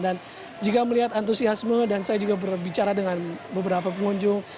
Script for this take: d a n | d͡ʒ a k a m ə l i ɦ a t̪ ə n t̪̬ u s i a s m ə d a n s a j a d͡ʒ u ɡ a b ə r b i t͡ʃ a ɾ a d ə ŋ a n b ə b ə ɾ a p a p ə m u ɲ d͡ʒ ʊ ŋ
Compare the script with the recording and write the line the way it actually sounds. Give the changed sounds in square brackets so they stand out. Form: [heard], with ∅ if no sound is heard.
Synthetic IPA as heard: d a n | d͡ʒ [i] k a m ə l i ɦ a t̪ [a] n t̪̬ u s i a s m ə d a n s a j a d͡ʒ u ɡ a b ə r b i t͡ʃ a ɾ a d ə ŋ a n b ə b ə ɾ a p a p ə [ŋ] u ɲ d͡ʒ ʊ ŋ